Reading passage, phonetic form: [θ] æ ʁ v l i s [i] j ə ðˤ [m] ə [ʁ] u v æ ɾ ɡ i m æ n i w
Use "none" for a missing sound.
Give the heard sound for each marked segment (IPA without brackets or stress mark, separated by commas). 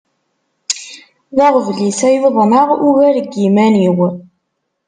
ð, æ, n, ʁ